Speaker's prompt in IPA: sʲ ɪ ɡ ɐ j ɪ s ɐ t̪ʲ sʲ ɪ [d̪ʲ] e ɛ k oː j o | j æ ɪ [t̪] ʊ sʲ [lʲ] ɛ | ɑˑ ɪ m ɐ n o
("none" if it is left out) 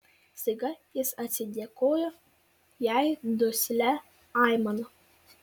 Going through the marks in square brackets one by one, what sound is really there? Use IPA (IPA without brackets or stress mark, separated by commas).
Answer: d̪ʲ, d̪, lʲ